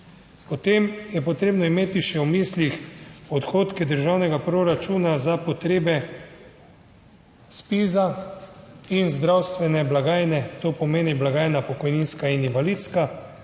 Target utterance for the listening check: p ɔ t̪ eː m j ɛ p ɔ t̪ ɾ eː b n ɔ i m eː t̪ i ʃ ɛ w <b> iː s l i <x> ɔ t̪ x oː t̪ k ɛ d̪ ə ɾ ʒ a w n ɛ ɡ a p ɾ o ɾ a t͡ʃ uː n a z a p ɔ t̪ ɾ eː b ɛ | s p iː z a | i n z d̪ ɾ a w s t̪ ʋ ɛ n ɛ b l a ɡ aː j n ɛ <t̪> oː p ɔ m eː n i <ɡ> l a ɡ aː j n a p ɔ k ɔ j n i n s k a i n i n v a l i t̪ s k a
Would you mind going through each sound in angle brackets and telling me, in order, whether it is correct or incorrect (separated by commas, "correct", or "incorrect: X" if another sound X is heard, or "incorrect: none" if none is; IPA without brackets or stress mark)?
incorrect: m, correct, correct, incorrect: b